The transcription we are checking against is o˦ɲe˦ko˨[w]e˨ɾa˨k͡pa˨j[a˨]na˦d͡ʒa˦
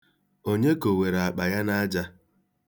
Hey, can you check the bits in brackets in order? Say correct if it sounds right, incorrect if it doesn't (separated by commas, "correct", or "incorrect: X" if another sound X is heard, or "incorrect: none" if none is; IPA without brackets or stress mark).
correct, incorrect: a˦